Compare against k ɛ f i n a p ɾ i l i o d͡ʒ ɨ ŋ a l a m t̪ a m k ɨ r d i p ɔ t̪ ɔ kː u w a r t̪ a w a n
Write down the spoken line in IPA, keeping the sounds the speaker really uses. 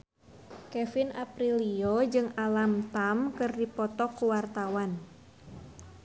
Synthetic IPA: k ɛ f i n a p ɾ i l i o d͡ʒ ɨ ŋ a l a m t̪ a m k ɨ r d i p ɔ t̪ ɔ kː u w a r t̪ a w a n